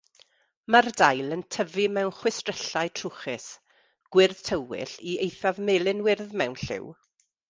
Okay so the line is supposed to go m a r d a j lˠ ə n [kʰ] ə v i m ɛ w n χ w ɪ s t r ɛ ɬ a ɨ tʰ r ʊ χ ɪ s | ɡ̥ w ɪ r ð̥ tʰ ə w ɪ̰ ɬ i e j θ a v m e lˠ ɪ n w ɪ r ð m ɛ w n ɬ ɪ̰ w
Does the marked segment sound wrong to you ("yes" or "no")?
yes